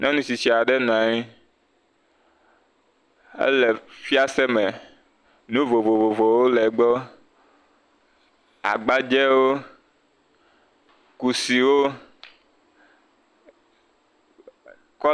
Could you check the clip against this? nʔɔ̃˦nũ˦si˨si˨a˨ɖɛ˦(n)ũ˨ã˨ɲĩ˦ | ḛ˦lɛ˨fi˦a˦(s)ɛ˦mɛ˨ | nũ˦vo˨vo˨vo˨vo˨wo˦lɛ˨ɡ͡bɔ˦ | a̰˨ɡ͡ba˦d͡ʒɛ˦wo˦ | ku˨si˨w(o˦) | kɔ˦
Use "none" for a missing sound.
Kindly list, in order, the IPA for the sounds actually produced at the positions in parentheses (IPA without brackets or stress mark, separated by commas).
n, s, o˦